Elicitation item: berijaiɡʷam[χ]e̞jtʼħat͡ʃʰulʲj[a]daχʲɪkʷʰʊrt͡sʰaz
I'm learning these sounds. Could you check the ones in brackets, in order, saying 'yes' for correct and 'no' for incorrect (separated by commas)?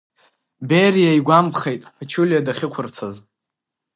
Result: yes, yes